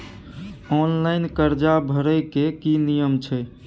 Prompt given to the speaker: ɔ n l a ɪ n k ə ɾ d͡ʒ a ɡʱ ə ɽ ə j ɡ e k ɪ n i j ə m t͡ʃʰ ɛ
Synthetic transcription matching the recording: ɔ n l a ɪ n k ə ɾ d͡ʒ a bʱ ə ɾ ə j k e k i n i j ə m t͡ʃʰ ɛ